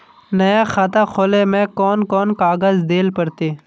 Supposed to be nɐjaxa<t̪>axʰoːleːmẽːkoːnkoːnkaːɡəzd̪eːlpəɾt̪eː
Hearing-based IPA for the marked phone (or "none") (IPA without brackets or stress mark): t̪